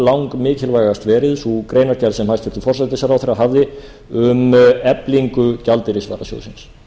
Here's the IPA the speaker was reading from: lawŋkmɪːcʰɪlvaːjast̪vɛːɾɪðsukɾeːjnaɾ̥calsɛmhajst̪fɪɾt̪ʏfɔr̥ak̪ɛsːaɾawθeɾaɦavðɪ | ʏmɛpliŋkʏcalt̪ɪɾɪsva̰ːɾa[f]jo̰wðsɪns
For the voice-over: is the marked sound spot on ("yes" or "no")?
no